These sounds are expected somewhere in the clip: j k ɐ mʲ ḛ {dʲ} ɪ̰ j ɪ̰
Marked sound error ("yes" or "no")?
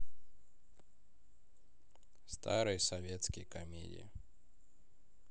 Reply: no